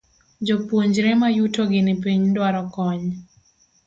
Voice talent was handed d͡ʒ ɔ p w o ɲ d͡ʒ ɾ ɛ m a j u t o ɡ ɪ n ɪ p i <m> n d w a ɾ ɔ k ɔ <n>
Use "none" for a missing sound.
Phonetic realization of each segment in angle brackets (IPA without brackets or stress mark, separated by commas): ɲ, ɲ